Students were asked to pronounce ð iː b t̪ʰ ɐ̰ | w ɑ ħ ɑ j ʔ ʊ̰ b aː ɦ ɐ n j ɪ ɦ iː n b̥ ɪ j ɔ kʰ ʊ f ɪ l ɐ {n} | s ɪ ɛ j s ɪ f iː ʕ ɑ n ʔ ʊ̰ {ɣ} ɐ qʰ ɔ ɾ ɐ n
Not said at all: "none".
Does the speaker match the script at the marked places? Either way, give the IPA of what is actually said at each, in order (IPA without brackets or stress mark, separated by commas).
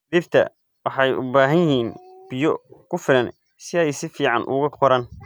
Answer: n, ɣ